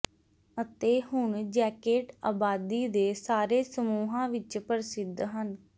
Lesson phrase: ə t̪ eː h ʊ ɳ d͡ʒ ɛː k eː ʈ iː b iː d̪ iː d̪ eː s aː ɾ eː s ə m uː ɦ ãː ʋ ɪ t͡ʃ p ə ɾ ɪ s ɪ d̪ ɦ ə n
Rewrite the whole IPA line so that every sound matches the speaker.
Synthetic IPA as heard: ə t̪ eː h ʊ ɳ d͡ʒ ɛː k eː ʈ aː b aː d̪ iː d̪ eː s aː ɾ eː s ə m uː ɦ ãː ʋ ɪ t͡ʃ p ə ɾ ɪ s ɪ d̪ ɦ ə n

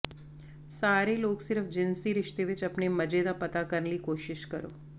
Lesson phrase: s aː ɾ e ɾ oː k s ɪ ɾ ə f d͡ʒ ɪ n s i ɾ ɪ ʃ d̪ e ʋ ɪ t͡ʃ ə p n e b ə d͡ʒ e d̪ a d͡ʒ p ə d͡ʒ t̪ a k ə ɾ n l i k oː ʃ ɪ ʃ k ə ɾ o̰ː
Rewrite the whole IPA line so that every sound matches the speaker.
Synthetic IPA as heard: s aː ɾ e l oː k s ɪ ɾ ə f d͡ʒ ɪ n s i ɾ ɪ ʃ t̪ e ʋ ɪ t͡ʃ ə p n e m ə d͡ʒ e d̪ a p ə t̪ a k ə ɾ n l i k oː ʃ ɪ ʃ k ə ɾ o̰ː

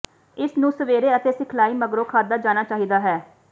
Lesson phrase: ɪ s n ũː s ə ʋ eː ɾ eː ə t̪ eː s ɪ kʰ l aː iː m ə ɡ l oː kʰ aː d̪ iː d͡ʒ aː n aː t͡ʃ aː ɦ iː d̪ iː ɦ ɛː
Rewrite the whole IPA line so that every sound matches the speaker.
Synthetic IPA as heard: ɪ s n ũː s ə ʋ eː ɾ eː ə t̪ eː s ɪ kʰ l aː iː m ə ɡ ɾ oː kʰ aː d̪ aː d͡ʒ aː n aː t͡ʃ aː ɦ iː d̪ aː ɦ ɛː

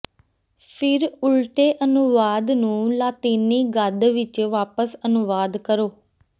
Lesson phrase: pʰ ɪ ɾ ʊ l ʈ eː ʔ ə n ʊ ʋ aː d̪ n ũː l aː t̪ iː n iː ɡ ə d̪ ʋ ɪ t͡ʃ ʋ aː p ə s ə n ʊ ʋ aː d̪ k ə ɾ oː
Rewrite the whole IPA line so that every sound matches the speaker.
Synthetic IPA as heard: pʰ ɪ ɾ ʊ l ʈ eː ʔ ə n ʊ ʋ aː d̪ n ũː l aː t̪ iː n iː ɡ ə d̪ ʋ ɪ t͡ʃ ʋ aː p ə s ə n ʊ ʋ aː d̪ k ə ɾ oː

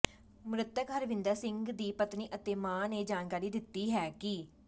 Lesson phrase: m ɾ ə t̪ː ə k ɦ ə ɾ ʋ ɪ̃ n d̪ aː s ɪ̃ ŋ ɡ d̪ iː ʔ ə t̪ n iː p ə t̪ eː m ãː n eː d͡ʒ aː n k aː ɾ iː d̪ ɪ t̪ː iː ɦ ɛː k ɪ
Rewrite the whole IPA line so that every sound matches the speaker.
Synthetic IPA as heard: m ɾ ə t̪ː ə k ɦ ə ɾ ʋ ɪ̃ n d̪ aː s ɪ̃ ŋ ɡ d̪ iː p ə t̪ n iː ʔ ə t̪ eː m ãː n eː d͡ʒ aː n k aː ɾ iː d̪ ɪ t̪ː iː ɦ ɛː k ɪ

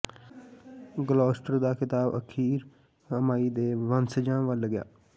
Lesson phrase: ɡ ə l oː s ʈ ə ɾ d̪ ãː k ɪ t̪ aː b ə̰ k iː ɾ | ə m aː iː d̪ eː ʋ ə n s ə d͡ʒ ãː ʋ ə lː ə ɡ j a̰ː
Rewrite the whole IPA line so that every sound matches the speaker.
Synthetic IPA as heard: ɡ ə l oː s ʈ ə ɾ d̪ aː k ɪ t̪ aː b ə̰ kʰ iː ɾ | ə m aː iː d̪ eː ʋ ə n s ə d͡ʒ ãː ʋ ə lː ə ɡ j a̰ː

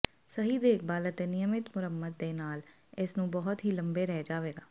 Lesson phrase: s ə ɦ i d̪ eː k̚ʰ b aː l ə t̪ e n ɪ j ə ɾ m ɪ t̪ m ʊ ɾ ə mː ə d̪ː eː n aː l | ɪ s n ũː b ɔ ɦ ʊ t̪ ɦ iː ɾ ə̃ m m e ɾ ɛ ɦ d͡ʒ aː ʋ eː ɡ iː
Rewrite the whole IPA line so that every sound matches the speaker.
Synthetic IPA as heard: s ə ɦ i d̪ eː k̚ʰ b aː l ə t̪ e n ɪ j ə m ɪ t̪ m ʊ ɾ ə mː ə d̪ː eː n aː l | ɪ s n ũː b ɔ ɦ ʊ t̪ ɦ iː l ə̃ m b e ɾ ɛ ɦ d͡ʒ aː ʋ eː ɡ aː

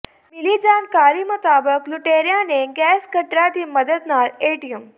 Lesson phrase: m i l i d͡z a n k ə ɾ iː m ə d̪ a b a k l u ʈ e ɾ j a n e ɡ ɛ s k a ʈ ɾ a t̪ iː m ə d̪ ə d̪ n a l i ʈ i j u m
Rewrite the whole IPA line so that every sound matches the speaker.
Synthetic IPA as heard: m i l i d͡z a n k a ɾ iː m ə t̪ a b ə k l u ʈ e ɾ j a n e ɡ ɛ s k ə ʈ ɾ a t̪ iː m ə d̪ ə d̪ n a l e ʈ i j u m

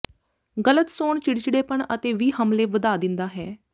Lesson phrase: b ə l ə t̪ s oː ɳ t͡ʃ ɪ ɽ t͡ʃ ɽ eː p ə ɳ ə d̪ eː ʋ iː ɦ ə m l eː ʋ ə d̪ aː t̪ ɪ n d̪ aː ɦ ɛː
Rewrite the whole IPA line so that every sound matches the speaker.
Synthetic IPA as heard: ɡ ə l ə t̪ s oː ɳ t͡ʃ ɪ ɽ t͡ʃ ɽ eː p ə ɳ ə t̪ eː ʋ iː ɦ ə m l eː ʋ ə d̪ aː d̪ ɪ n d̪ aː ɦ ɛː

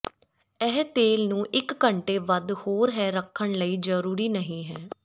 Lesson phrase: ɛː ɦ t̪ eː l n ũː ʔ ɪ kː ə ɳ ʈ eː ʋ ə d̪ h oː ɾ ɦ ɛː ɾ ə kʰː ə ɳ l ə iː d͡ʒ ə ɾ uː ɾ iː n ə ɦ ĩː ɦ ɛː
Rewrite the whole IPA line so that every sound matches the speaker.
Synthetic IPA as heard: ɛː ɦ t̪ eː l n ũː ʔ ɪ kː ə ɳ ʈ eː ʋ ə d̪ h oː ɾ ɦ ɛː ɾ ə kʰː ə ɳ l ə iː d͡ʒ ə ɾ uː ɾ iː n ə ɦ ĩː ɦ ɛː

